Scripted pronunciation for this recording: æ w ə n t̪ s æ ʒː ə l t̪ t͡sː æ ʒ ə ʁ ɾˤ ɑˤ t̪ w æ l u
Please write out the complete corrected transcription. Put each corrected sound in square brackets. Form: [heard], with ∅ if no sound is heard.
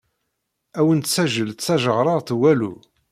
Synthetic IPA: æ w ə n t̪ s æ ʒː ə l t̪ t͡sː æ ʒ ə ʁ ɾˤ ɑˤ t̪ w æ l u

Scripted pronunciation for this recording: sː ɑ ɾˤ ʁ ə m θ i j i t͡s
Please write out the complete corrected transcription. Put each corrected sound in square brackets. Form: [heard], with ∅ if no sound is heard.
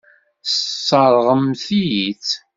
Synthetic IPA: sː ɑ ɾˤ ʁ ə m θ i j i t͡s

